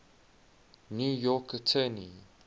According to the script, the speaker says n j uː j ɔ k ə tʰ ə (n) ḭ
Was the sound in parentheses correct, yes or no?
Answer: yes